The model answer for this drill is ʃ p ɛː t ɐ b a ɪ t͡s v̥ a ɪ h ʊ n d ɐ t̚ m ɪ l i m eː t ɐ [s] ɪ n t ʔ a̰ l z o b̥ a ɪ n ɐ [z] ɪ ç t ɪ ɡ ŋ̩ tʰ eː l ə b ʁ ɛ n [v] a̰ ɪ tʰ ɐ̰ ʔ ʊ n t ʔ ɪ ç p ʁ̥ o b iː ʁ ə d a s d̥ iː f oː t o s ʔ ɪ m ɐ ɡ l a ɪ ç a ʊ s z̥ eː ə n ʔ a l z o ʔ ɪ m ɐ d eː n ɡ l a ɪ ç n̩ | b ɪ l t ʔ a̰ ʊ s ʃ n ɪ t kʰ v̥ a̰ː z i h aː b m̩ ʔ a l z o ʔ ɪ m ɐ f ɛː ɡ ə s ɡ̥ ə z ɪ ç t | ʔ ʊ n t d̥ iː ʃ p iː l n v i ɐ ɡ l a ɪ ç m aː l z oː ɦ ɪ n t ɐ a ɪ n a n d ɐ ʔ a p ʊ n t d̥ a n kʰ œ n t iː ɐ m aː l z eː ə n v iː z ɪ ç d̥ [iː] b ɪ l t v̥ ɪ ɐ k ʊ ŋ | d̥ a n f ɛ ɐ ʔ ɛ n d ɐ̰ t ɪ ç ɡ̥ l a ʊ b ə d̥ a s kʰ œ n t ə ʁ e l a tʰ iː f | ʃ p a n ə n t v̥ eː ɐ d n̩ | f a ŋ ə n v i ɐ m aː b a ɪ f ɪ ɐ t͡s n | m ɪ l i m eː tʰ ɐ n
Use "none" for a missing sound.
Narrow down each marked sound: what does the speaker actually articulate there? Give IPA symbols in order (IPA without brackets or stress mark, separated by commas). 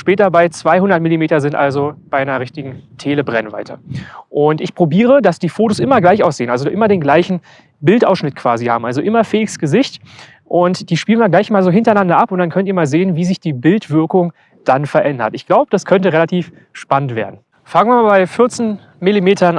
z, ʁ, v, iː